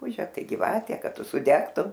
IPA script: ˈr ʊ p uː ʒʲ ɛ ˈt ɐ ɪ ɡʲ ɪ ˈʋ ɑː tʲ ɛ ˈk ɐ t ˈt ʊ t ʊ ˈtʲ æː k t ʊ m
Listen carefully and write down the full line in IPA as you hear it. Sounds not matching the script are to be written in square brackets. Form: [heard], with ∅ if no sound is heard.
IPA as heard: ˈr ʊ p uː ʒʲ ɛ ˈt ɐ ɪ ɡʲ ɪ ˈʋ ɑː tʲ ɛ ˈk ɐ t ˈt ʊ [s] ʊ [ˈdʲ] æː k t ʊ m